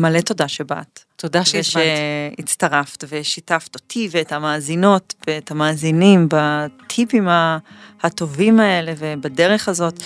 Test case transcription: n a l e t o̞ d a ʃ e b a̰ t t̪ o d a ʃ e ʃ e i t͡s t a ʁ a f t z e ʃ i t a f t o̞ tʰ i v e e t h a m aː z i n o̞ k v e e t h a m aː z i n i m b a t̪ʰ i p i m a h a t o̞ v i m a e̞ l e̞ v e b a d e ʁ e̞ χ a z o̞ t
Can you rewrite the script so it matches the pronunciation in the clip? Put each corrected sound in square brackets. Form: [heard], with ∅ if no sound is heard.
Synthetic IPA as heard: [m] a l e t o̞ d a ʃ e b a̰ t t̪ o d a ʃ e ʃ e i t͡s t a ʁ a f t [v] e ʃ i t a f t o̞ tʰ i v e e t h a m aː z i n o̞ [t] v e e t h a m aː z i n i m b a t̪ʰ i p i m a h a t o̞ v i m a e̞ l e̞ v e b a d e ʁ e̞ χ a z o̞ t